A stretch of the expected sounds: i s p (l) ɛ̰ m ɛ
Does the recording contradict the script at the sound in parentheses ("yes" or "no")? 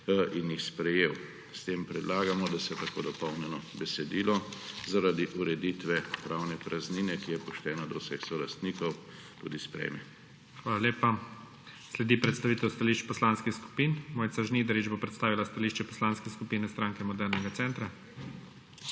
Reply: yes